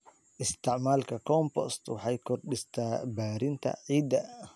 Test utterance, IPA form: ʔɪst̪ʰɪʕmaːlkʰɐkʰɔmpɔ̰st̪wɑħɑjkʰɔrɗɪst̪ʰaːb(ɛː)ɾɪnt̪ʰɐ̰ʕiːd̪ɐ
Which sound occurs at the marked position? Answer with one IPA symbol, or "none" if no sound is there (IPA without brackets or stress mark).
aː